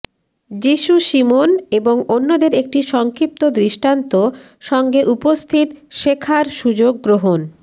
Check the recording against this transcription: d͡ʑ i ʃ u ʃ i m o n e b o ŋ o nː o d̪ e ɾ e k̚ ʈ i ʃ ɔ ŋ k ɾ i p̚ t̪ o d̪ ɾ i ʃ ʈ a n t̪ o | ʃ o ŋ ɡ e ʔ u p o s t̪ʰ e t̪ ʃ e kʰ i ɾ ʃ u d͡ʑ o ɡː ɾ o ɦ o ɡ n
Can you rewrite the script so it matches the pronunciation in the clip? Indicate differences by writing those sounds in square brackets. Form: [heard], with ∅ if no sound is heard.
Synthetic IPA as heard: d͡ʑ i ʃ u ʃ i m o n e b o ŋ o nː o d̪ e ɾ e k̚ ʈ i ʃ ɔ ŋ k ɾ i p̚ t̪ o d̪ ɾ i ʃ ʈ a n t̪ o | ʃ [ɔ] ŋ ɡ e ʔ u p o s t̪ʰ [i] t̪ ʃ e kʰ [a] ɾ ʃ u d͡ʑ o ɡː ɾ o ɦ o [∅] n